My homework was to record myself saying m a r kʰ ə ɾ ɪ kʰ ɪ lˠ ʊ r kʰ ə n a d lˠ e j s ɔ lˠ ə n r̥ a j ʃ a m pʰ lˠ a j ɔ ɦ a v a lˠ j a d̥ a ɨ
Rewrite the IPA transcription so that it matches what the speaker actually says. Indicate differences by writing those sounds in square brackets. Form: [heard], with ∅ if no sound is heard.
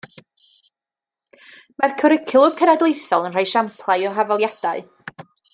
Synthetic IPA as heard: m a r kʰ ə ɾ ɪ kʰ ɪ lˠ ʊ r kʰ ə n a d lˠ e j [θ] ɔ lˠ ə n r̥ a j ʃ a m pʰ lˠ a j ɔ ɦ a v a lˠ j a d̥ a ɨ